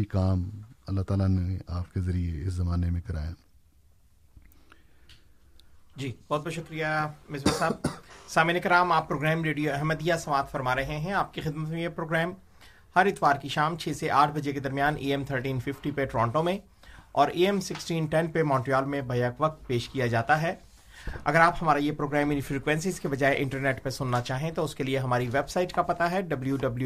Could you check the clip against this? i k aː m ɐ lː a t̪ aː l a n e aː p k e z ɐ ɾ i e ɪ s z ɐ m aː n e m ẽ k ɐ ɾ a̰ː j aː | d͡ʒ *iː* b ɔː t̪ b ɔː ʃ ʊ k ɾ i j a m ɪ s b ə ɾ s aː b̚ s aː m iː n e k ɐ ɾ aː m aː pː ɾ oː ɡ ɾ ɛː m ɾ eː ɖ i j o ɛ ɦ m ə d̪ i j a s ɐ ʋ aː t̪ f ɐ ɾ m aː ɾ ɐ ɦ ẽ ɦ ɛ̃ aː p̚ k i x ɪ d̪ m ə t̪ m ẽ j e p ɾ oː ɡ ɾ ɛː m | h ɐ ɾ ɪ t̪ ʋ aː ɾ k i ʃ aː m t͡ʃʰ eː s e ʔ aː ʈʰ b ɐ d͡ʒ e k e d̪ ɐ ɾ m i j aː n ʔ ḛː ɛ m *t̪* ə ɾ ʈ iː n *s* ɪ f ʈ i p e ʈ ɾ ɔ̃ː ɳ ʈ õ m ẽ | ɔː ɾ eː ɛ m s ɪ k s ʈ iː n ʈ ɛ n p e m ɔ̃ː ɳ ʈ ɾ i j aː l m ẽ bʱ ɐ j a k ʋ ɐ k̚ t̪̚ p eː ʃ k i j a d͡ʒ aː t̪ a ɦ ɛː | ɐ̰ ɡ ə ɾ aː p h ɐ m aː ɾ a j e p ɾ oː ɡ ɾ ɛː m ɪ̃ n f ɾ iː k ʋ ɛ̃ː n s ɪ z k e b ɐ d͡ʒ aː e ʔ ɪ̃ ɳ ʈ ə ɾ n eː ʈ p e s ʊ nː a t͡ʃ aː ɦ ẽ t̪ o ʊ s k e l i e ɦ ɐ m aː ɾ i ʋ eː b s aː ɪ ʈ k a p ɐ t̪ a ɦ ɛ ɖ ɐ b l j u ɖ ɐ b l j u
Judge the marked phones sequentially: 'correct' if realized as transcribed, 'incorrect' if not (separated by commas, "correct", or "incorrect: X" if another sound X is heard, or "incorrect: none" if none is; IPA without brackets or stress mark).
correct, incorrect: t̪ʰ, incorrect: f